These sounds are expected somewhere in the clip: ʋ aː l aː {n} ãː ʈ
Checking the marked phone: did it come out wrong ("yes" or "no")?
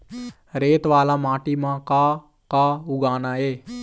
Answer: yes